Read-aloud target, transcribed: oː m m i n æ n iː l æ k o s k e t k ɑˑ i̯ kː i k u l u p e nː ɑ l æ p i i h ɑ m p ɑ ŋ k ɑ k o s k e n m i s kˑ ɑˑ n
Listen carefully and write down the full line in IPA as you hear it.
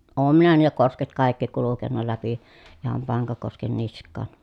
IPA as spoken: oː m m i n æ n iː l æ k o s k e t k ɑˑ i̯ kː i k u l u k e nː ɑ l æ p i i h ɑ m p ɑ ŋ k ɑ k o s k e n n i s kˑ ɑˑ n